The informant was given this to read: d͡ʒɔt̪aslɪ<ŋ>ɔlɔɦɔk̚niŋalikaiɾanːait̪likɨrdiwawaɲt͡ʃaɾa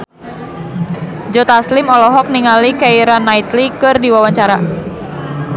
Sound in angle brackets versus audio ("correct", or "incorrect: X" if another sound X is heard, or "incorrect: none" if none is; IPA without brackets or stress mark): incorrect: m